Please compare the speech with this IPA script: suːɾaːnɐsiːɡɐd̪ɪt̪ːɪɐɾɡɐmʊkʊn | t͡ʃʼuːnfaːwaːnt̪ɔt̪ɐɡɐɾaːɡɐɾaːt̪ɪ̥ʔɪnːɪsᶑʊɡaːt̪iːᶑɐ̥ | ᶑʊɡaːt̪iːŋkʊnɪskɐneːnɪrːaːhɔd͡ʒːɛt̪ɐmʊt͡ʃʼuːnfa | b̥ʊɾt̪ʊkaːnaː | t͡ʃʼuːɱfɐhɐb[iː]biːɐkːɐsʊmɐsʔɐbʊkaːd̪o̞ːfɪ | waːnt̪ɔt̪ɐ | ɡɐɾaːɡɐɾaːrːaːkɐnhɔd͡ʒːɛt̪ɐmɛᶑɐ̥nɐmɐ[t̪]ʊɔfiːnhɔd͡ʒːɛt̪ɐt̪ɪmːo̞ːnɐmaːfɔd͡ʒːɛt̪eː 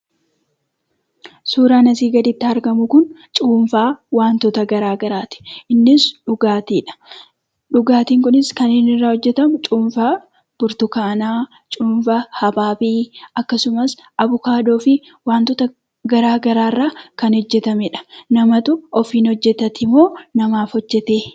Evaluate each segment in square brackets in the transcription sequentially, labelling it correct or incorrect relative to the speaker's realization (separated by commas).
incorrect, correct